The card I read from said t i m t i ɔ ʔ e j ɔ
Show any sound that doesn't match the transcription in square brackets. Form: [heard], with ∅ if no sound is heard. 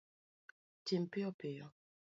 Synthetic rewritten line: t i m [p] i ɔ [p] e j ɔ